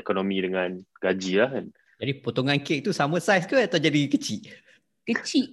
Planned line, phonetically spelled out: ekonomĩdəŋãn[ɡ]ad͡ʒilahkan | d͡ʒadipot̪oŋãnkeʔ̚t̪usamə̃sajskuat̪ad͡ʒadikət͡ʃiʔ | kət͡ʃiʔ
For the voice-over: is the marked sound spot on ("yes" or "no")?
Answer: yes